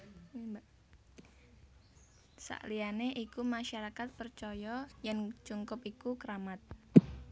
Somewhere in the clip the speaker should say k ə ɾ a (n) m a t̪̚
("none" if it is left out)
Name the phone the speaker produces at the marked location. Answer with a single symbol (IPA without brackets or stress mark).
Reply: none